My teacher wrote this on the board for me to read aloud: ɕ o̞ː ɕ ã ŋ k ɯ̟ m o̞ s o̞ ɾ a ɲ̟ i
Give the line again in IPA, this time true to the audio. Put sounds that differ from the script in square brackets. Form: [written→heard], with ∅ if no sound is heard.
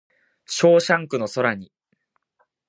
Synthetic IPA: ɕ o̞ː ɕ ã ŋ k ɯ̟ [m→n] o̞ s o̞ ɾ a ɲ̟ i